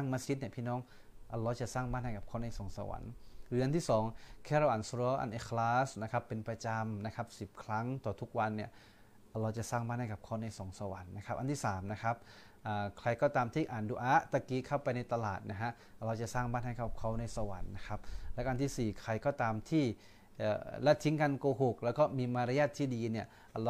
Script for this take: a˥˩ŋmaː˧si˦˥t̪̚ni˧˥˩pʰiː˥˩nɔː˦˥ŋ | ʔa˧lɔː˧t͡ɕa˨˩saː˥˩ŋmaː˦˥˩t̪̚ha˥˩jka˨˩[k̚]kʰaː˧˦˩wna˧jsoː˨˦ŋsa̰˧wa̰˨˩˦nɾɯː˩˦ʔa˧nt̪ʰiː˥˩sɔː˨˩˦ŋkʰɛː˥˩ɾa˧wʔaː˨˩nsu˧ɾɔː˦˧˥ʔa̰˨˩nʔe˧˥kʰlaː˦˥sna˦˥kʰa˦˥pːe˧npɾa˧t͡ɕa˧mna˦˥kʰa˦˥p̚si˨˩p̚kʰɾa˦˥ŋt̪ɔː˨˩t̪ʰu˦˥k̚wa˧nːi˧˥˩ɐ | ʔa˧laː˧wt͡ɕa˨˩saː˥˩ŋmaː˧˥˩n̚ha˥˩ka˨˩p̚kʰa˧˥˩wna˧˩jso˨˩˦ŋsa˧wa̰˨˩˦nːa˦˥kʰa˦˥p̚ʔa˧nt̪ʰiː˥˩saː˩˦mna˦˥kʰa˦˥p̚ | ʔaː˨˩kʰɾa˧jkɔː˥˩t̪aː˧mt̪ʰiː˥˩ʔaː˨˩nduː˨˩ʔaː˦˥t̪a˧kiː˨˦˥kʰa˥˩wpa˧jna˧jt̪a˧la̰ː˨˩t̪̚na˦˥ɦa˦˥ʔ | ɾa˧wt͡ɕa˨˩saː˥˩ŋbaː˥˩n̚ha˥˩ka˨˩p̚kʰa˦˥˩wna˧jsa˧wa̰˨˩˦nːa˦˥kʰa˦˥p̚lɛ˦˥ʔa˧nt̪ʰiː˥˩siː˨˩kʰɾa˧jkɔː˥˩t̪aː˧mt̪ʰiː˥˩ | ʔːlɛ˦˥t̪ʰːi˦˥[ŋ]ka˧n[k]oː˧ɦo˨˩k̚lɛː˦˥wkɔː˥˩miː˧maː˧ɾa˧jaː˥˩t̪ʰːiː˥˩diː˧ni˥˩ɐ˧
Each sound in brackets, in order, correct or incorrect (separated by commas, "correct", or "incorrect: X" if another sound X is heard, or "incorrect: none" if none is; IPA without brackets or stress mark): incorrect: p̚, correct, correct